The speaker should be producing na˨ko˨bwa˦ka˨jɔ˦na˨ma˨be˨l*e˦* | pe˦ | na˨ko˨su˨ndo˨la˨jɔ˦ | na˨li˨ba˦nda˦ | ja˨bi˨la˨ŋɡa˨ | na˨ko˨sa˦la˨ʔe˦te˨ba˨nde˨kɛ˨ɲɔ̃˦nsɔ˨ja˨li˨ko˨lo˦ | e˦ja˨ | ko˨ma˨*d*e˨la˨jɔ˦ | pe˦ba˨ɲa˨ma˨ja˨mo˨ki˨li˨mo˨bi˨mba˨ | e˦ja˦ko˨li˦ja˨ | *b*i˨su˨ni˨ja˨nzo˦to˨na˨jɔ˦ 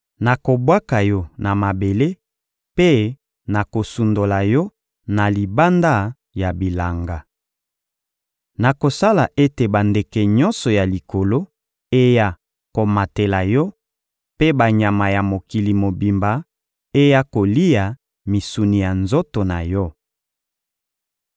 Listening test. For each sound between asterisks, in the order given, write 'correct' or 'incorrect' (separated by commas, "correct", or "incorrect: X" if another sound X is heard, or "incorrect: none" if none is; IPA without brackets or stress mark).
correct, incorrect: t, incorrect: m